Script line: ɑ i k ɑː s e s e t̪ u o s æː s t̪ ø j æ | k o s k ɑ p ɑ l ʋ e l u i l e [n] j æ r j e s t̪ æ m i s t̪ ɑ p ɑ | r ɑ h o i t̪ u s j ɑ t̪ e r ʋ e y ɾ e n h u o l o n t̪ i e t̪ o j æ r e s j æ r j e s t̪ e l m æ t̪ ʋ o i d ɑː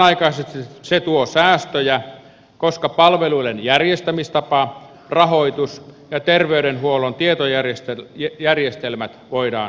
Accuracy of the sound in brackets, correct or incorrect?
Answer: correct